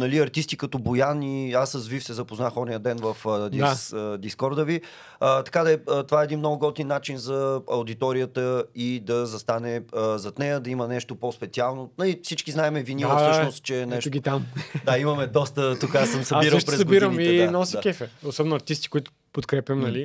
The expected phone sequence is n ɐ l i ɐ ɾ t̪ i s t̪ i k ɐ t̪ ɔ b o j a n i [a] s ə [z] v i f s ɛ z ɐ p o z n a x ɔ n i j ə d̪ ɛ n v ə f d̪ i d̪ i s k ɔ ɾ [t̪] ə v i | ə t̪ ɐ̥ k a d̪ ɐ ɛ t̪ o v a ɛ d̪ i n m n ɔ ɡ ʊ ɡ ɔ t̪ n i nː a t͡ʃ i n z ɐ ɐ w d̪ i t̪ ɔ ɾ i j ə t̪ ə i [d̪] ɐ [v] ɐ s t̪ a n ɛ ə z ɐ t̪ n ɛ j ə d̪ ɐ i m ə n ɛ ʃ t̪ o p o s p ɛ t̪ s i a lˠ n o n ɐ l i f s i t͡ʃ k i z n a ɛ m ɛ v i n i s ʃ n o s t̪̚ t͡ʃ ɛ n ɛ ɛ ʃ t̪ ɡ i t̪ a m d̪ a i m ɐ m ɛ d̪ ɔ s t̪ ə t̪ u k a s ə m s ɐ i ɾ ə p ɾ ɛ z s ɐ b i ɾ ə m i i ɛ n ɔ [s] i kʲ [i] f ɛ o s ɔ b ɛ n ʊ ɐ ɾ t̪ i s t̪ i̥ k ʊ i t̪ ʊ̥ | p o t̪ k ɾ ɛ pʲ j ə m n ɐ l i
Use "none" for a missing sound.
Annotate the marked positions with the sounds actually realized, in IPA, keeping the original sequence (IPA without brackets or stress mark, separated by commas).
a, z, d̪, d̪, z, s, ɛ